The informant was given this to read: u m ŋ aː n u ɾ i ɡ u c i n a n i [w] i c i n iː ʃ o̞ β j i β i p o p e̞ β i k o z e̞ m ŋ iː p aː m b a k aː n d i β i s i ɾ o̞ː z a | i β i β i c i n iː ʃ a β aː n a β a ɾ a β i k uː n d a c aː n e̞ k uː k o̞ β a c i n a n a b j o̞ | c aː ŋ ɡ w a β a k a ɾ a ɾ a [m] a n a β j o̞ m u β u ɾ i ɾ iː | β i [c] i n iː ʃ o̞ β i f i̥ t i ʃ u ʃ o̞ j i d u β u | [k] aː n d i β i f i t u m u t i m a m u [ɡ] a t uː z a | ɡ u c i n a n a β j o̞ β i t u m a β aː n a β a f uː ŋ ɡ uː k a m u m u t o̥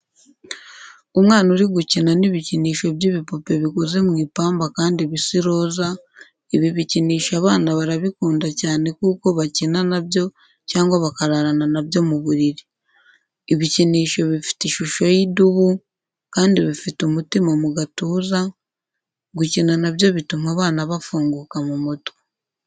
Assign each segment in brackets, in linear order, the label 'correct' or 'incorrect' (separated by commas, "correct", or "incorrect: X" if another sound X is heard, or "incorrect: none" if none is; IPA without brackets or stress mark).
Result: incorrect: β, incorrect: n, correct, correct, correct